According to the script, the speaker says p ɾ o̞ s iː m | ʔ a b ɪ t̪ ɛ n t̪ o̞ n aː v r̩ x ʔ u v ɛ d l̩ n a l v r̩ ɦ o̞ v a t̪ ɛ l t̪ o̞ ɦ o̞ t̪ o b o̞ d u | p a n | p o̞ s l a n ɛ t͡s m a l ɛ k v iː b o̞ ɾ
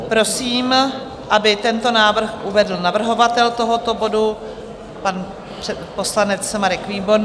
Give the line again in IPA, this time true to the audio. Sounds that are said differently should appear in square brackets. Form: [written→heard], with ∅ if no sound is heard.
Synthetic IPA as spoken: p ɾ o̞ s iː m | ʔ a b ɪ t̪ ɛ n t̪ o̞ n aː v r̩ x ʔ u v ɛ d l̩ n a [l→∅] v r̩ ɦ o̞ v a t̪ ɛ l t̪ o̞ ɦ o̞ t̪ o b o̞ d u | p a n | p o̞ s l a n ɛ t͡s m a [l→ɾ] ɛ k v iː b o̞ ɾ

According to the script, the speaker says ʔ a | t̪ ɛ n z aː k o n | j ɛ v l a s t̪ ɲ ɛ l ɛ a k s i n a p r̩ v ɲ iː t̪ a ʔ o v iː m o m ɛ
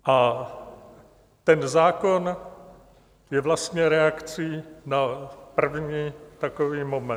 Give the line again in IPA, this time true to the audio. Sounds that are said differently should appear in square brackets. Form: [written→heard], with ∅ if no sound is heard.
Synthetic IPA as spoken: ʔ a | t̪ ɛ n z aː k o n | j ɛ v l a s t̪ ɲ ɛ [l→ɾ] ɛ a k [s→t͡s] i n a p r̩ v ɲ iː t̪ a [ʔ→k] o v iː m o m ɛ

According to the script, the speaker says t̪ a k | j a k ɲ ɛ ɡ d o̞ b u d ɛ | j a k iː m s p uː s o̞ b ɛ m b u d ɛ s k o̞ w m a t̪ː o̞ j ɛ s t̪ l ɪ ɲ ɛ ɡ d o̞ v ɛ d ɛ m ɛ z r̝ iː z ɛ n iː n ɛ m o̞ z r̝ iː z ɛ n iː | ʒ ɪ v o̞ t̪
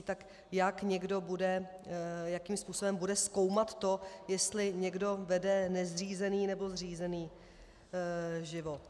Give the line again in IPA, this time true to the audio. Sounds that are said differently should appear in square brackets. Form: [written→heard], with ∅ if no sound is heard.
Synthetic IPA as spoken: t̪ a k | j a k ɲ ɛ ɡ d o̞ b u d ɛ | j a k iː m s p uː s o̞ b ɛ m b u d ɛ s k o̞ w m a t̪ː o̞ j ɛ s t̪ l ɪ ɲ ɛ ɡ d o̞ v ɛ d ɛ [m→n] ɛ z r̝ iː z ɛ n iː n ɛ [m→b] o̞ z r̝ iː z ɛ n iː | ʒ ɪ v o̞ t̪

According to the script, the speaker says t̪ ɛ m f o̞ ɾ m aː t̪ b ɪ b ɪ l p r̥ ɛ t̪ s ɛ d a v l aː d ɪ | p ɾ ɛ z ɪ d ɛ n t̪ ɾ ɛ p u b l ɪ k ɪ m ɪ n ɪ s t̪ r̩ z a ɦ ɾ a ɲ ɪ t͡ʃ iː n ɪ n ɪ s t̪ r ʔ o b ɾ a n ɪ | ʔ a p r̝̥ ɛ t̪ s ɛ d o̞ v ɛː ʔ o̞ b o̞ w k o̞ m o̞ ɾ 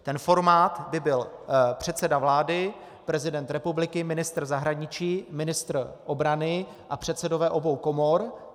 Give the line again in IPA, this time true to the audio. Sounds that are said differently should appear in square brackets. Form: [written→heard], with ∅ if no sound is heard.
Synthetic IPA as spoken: t̪ ɛ [m→n] f o̞ ɾ m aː t̪ b ɪ b ɪ l p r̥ ɛ t̪ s ɛ d a v l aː d ɪ | p ɾ ɛ z ɪ d ɛ n t̪ ɾ ɛ p u b l ɪ k ɪ m ɪ n ɪ s t̪ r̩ z a ɦ ɾ a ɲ ɪ t͡ʃ iː [n→m] ɪ n ɪ s t̪ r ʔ o b ɾ a n ɪ | ʔ a p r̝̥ ɛ t̪ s ɛ d o̞ v ɛː ʔ o̞ b o̞ w k o̞ m o̞ ɾ

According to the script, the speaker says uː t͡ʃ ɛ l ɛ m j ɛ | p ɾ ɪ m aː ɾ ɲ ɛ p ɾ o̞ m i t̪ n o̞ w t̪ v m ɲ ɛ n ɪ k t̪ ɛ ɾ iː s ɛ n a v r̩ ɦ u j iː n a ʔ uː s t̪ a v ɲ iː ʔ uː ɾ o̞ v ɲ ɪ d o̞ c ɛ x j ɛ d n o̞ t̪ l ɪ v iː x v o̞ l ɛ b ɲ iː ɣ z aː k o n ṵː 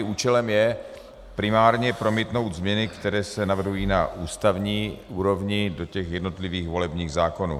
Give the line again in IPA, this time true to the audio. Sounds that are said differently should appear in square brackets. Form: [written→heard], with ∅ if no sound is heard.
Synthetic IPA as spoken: uː t͡ʃ ɛ l ɛ m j ɛ | p ɾ ɪ m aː ɾ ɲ ɛ p ɾ o̞ m i t̪ n o̞ w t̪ [v→z] m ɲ ɛ n ɪ k t̪ ɛ ɾ [iː→ɛː] s ɛ n a v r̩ ɦ u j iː n a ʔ uː s t̪ a v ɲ iː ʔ uː ɾ o̞ v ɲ ɪ d o̞ c ɛ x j ɛ d n o̞ t̪ l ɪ v iː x v o̞ l ɛ b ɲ iː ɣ z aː k o n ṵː

